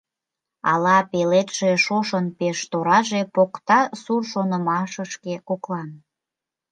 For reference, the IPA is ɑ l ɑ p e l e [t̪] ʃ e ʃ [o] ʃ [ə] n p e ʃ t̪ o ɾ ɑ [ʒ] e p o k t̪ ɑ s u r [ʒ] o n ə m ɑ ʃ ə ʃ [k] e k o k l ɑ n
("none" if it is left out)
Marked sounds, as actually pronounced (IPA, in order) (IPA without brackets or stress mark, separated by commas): t̪, o, ə, ʒ, ʃ, k